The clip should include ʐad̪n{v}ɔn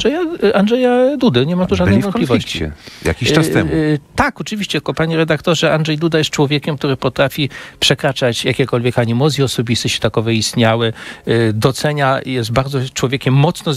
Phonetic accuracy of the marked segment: correct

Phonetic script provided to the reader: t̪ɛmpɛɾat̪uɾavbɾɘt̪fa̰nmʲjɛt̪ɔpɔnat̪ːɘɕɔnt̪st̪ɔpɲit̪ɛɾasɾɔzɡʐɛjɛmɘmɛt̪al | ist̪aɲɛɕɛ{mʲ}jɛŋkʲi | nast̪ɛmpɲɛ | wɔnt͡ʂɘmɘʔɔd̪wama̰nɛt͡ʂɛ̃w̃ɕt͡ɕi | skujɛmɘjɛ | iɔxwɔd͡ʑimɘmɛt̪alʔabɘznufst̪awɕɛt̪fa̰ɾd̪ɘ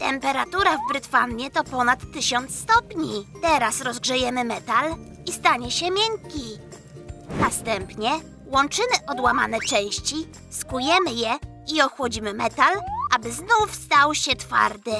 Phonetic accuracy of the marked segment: correct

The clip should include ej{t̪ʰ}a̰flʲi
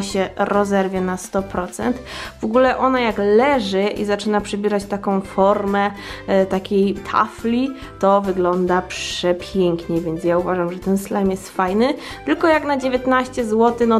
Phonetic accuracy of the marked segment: correct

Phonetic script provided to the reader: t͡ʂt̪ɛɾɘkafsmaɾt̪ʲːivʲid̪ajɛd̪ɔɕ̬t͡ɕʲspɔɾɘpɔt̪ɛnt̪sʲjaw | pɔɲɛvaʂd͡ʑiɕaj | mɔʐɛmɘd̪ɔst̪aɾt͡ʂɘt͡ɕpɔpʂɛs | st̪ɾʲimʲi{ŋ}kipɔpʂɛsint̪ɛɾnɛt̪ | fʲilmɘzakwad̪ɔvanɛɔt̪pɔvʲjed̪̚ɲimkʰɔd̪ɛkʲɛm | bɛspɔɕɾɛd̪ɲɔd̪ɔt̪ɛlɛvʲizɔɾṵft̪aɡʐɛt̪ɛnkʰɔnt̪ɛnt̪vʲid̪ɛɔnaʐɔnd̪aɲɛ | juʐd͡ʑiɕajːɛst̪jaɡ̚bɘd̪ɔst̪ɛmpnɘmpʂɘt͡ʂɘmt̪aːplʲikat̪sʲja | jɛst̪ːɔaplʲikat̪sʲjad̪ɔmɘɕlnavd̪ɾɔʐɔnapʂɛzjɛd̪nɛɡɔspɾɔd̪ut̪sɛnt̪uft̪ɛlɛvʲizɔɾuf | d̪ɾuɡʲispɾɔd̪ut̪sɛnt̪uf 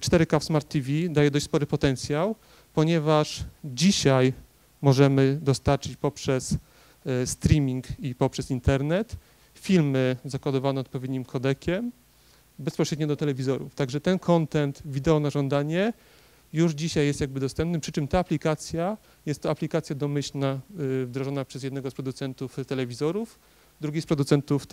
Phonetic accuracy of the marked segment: correct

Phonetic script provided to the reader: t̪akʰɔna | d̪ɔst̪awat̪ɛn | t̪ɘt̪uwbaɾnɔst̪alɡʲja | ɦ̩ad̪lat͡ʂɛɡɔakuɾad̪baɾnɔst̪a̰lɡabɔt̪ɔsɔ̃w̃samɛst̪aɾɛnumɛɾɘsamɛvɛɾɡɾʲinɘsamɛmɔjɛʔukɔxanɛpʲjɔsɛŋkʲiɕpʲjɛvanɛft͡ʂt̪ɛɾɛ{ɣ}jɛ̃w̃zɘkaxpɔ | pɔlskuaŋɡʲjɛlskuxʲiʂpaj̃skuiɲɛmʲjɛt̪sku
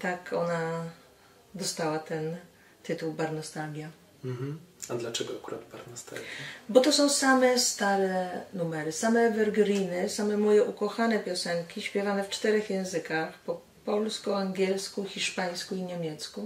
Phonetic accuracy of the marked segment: incorrect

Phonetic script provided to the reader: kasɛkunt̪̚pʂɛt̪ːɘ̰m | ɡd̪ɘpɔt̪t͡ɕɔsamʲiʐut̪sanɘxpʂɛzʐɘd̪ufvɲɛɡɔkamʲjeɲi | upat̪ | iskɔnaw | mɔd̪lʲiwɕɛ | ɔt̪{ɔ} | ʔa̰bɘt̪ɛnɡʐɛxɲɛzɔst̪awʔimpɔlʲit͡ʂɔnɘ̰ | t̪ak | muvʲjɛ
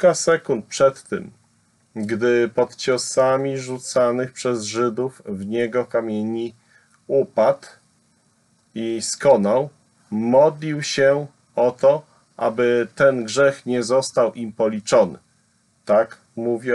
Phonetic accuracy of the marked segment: correct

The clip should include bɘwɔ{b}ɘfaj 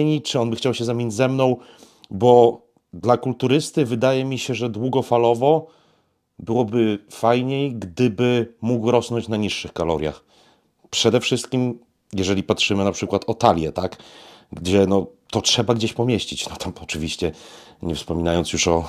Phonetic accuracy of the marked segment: correct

